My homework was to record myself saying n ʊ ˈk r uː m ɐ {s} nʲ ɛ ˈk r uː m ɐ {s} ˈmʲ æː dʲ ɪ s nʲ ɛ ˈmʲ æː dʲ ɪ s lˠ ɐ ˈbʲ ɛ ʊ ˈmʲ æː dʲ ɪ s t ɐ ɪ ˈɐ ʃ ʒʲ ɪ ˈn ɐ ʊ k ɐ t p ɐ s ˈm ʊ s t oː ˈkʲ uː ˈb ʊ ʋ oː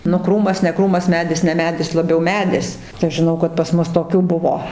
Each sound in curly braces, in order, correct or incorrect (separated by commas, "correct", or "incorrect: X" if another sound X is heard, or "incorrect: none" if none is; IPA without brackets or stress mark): correct, correct